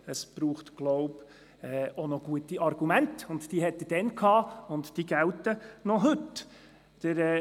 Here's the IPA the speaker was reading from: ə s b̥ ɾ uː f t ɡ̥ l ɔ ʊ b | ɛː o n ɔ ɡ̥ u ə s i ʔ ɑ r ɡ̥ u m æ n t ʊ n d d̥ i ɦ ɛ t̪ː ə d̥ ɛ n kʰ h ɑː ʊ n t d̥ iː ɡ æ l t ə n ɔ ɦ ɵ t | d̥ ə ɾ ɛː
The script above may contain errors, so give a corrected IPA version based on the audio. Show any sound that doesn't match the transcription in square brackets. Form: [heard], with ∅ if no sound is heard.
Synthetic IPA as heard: ə s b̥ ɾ uː [χ] t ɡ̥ l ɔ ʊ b | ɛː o n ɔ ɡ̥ u ə [t] i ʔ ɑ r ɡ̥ u m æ n t ʊ n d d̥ i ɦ ɛ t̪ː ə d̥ ɛ n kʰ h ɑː ʊ n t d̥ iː ɡ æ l t ə n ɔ ɦ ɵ t | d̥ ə ɾ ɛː